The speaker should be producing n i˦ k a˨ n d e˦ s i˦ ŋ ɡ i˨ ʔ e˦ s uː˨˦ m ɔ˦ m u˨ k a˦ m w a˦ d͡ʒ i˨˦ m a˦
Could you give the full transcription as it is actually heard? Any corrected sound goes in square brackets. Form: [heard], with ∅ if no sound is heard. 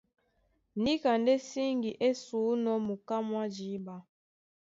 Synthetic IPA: n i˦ k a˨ n d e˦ s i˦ ŋ ɡ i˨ ʔ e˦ s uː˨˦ [n] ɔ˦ m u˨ k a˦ m w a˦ d͡ʒ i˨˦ [b] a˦